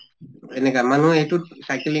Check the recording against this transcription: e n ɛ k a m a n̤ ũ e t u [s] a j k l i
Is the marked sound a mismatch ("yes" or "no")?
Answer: no